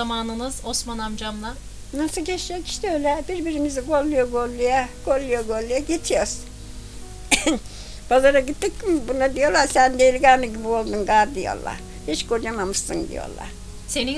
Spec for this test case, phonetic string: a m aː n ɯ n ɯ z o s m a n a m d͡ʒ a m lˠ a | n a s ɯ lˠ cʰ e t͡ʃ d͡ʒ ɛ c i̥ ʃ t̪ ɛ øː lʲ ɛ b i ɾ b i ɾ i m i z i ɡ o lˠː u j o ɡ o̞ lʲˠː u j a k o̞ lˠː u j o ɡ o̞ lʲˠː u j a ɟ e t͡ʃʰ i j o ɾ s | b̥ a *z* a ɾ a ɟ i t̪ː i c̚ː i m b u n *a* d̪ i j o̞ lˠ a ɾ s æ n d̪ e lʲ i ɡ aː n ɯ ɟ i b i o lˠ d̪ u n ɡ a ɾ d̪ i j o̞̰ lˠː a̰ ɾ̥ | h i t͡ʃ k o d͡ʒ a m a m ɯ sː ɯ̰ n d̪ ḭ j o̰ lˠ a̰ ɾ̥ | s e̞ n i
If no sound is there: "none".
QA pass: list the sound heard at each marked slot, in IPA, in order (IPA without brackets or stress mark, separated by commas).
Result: z, a